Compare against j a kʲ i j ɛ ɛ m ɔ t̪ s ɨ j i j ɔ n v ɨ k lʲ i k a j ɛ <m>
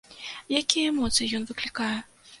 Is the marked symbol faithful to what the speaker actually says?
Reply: no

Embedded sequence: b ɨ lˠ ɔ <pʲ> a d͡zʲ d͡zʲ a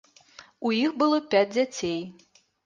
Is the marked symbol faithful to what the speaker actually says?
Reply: yes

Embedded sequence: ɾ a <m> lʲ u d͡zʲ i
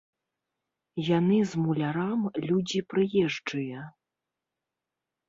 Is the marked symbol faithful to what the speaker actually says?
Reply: yes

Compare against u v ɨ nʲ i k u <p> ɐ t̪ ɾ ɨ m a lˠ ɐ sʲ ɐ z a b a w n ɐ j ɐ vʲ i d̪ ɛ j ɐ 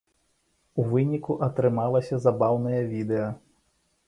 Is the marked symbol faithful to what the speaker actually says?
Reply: no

